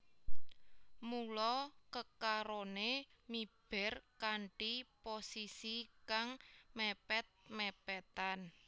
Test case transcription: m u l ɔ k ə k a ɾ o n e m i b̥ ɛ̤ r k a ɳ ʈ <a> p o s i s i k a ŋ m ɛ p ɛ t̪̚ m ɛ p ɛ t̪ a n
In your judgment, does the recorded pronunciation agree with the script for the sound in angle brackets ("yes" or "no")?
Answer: no